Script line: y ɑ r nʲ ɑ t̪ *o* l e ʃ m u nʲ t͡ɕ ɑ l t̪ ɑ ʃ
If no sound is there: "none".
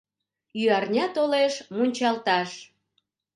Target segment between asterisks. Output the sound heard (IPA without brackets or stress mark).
o